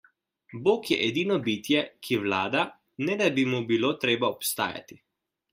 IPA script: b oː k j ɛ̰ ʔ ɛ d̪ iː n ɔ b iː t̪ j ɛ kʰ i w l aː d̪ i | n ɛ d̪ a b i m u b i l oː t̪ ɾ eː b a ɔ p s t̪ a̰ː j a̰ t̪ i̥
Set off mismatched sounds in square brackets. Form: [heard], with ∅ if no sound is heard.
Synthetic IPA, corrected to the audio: b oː k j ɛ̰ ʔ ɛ d̪ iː n ɔ b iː t̪ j ɛ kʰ i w l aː d̪ [a] | n ɛ d̪ a b i m u b i l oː t̪ ɾ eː b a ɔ p s t̪ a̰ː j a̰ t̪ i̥